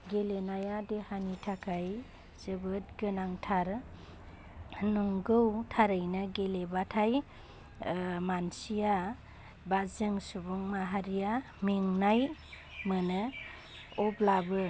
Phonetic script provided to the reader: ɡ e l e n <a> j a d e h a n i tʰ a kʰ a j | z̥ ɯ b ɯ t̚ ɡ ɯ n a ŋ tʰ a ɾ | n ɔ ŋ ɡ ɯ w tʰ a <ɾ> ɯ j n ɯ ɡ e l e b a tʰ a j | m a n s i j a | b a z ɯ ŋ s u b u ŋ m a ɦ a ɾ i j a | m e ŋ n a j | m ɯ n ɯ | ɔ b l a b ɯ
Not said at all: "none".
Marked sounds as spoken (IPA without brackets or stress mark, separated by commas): a, ɾ